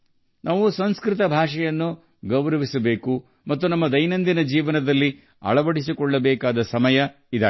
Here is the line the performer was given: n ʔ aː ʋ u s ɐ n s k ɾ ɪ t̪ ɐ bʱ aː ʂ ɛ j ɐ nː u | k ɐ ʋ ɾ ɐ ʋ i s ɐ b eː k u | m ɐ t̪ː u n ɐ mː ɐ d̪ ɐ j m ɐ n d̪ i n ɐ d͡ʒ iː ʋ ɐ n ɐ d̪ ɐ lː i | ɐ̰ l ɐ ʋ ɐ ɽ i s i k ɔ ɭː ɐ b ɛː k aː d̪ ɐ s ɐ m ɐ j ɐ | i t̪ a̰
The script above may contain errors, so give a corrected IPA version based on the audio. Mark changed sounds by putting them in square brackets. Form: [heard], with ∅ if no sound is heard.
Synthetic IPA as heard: n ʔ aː ʋ u s ɐ n s k ɾ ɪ t̪ ɐ bʱ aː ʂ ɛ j ɐ nː u | [ɡ] ɐ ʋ ɾ ɐ ʋ i s ɐ b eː k u | m ɐ t̪ː u n ɐ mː ɐ d̪ ɐ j [n] ɐ n d̪ i n ɐ d͡ʒ iː ʋ ɐ n ɐ d̪ ɐ lː i | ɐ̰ [ɭ] ɐ ʋ ɐ ɽ i s i k ɔ ɭː ɐ b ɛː k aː d̪ ɐ s ɐ m ɐ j ɐ | i [d̪] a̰